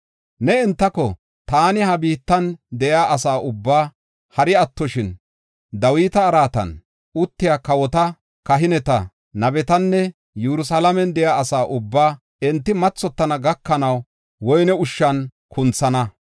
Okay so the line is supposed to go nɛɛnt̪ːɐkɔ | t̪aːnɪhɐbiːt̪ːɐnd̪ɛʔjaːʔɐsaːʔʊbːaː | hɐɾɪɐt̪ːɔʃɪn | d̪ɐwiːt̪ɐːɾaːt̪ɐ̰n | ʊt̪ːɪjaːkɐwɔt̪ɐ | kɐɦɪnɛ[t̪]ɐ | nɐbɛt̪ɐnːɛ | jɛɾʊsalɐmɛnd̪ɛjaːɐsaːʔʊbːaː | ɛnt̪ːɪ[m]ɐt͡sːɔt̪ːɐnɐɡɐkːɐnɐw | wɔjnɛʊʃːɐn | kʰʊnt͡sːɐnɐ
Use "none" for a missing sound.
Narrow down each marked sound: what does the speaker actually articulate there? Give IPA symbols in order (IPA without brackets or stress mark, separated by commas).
t̪, m